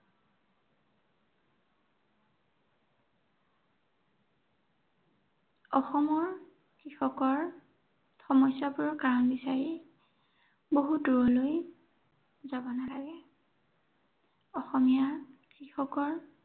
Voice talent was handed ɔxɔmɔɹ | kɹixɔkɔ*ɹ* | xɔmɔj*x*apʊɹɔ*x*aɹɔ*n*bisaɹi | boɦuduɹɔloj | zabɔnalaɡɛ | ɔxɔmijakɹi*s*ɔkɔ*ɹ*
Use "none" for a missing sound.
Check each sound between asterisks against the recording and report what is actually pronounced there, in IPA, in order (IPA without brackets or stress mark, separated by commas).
ɹ, s, k, n, x, ɹ